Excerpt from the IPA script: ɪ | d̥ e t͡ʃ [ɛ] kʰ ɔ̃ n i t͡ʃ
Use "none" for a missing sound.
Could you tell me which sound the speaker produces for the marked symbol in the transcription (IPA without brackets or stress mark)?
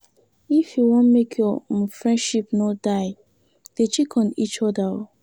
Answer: i